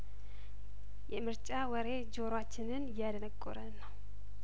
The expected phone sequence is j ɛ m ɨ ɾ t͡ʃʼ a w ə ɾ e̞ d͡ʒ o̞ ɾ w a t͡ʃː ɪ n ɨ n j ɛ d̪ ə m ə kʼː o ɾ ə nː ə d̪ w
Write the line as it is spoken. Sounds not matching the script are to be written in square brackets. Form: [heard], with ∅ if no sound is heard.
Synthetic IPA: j ɛ m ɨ ɾ t͡ʃʼ a w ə ɾ e̞ d͡ʒ o̞ ɾ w a t͡ʃː ɪ n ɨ n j [a] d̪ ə [n] ə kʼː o ɾ ə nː ə [∅] w